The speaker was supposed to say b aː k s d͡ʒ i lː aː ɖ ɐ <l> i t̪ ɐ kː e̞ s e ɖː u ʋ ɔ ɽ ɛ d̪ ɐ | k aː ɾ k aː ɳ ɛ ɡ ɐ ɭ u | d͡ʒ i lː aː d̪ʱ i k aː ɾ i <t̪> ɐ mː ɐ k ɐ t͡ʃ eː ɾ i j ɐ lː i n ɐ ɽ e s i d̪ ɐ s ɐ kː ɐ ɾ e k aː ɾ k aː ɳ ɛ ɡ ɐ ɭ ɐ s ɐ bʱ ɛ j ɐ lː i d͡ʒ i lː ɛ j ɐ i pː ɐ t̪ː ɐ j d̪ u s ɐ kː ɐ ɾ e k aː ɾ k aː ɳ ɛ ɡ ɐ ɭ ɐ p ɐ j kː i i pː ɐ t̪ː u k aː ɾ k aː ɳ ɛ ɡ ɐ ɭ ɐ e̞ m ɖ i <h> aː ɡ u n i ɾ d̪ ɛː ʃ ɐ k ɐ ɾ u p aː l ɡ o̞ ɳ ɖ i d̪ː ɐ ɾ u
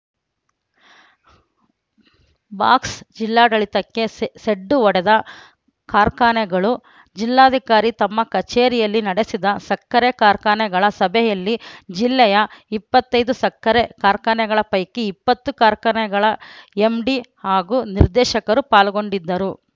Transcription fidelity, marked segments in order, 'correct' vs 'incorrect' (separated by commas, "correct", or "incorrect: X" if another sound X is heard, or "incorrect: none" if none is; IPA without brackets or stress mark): incorrect: ɭ, correct, correct